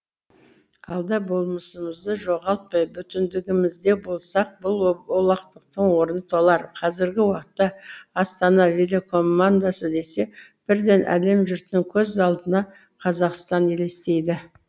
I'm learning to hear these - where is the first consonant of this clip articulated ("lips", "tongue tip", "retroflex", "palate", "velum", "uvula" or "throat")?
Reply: tongue tip